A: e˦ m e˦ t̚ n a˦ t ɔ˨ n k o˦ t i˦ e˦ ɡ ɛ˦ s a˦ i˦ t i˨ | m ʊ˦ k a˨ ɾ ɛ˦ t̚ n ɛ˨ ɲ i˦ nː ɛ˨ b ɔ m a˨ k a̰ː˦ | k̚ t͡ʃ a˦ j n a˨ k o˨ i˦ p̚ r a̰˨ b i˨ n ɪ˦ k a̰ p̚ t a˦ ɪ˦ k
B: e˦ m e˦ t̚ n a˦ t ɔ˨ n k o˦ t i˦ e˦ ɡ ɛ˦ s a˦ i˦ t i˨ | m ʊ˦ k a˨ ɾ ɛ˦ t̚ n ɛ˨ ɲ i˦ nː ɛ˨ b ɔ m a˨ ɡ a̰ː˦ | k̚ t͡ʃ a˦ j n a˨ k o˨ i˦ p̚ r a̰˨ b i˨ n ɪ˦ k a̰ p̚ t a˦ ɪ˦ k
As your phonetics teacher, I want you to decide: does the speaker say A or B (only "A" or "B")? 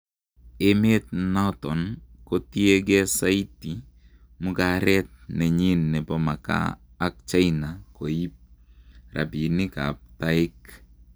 A